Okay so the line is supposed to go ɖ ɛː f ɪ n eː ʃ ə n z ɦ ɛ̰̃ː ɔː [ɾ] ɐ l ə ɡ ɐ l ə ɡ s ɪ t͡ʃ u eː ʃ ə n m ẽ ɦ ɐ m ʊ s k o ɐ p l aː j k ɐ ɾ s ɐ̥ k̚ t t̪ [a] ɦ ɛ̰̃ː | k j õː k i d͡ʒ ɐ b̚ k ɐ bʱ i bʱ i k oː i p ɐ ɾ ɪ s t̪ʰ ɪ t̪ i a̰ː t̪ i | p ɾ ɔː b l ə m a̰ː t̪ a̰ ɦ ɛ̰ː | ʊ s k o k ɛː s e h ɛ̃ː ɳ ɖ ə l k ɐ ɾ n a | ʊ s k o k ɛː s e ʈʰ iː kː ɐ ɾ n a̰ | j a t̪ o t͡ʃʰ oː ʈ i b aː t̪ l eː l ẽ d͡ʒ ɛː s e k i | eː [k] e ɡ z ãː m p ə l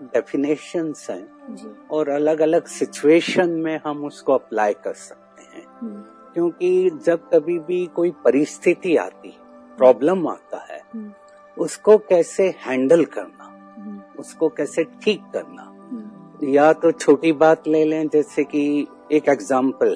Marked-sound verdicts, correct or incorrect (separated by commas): correct, incorrect, correct